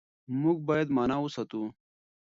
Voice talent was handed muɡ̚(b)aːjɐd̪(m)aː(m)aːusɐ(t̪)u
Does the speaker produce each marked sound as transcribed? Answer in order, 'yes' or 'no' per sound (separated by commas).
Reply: yes, yes, no, yes